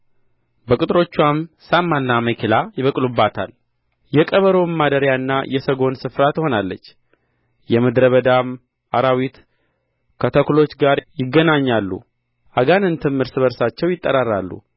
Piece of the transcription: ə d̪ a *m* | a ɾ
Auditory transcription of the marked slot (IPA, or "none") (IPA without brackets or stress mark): m